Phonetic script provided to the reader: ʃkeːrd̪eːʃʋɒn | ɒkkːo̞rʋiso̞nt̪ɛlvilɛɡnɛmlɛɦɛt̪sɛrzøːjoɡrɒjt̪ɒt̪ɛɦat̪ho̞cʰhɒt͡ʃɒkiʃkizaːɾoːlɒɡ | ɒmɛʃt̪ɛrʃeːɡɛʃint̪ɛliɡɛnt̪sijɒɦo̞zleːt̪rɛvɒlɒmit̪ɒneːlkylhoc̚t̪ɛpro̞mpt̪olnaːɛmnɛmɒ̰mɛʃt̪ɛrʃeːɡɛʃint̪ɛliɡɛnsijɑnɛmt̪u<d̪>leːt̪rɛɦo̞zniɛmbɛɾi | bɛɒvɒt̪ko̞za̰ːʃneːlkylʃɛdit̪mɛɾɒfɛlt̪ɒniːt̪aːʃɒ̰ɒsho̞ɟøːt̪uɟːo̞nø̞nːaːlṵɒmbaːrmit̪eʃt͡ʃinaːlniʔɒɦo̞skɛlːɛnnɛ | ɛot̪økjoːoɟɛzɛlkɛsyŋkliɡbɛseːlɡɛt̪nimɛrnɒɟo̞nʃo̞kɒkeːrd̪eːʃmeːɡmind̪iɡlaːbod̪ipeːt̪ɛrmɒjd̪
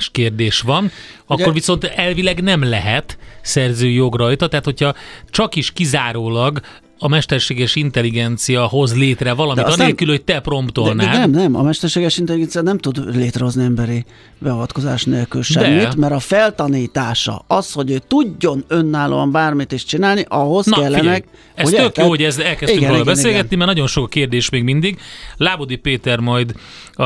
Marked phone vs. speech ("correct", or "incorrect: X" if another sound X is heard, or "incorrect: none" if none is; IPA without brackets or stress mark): correct